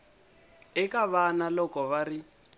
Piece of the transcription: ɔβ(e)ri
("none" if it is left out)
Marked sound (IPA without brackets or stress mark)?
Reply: a